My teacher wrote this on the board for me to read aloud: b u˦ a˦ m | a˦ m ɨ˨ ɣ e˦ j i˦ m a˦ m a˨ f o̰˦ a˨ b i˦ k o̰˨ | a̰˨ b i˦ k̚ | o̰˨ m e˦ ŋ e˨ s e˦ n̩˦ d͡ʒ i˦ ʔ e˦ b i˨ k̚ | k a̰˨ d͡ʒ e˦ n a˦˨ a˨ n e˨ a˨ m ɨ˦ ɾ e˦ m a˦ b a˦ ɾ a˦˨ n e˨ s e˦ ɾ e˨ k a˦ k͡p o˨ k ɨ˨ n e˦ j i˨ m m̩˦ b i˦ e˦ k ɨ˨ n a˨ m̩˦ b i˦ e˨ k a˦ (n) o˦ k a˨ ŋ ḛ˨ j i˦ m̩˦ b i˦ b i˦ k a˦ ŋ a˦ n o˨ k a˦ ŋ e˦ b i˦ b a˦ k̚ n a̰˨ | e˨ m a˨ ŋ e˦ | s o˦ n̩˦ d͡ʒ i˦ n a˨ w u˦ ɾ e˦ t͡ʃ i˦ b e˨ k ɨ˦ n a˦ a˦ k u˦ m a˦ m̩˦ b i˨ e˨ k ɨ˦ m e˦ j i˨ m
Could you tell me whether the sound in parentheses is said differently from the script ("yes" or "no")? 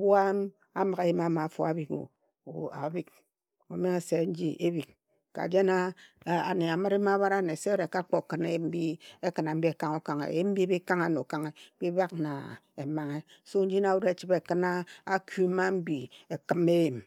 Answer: yes